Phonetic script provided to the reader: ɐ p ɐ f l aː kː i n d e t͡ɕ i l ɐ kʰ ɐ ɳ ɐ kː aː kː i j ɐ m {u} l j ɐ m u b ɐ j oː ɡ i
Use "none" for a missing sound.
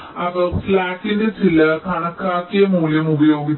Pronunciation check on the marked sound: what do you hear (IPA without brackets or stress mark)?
uː